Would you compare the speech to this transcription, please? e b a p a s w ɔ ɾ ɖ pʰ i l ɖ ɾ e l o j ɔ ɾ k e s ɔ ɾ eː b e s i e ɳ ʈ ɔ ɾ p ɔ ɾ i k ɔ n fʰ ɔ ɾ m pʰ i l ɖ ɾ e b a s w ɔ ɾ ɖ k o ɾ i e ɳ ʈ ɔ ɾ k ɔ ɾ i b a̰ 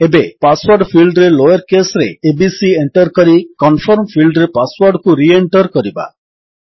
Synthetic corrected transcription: e b e p a s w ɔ ɾ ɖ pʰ i l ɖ ɾ e l o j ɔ ɾ k e s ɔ ɾ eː b i s i e ɳ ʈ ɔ ɾ k ɔ ɾ i k ɔ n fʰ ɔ ɾ m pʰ i l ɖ ɾ e p a s w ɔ ɾ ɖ k u ɾ i e ɳ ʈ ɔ ɾ k ɔ ɾ i b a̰

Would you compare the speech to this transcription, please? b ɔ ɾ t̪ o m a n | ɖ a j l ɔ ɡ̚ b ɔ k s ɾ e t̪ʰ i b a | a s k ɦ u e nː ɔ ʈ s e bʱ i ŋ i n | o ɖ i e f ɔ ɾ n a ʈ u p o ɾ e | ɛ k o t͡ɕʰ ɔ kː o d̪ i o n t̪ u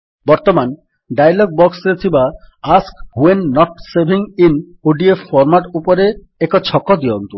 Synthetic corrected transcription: b ɔ ɾ t̪ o m a n | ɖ a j l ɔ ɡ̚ b ɔ k s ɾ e t̪ʰ i b a | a s k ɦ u e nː ɔ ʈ s e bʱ i ŋ i n | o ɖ i e f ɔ ɾ m a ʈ u p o ɾ e | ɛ k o t͡ɕʰ ɔ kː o d̪ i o n t̪ u

